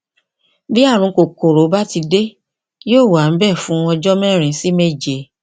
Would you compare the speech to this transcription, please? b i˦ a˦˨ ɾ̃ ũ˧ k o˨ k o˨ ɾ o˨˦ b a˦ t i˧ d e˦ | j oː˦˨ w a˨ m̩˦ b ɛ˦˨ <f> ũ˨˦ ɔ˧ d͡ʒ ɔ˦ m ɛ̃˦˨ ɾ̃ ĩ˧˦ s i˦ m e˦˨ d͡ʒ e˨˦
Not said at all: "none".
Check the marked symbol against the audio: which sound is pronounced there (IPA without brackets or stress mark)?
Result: f